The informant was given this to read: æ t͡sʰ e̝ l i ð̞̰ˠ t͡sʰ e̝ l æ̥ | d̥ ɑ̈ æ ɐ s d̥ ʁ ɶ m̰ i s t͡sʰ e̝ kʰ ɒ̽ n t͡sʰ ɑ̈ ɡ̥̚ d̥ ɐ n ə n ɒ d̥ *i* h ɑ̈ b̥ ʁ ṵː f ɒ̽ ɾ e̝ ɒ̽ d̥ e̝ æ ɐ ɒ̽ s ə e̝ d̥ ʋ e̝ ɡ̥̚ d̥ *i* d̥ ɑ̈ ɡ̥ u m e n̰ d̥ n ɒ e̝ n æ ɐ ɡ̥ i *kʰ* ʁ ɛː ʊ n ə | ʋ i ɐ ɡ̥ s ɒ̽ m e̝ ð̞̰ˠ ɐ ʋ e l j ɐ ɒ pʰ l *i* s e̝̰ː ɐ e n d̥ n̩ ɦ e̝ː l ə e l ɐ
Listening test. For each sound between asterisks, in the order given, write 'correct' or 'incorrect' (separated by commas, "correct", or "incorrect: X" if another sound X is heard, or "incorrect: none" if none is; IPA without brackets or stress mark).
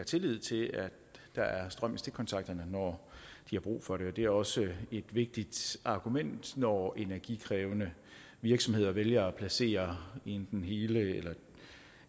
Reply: correct, correct, correct, incorrect: æ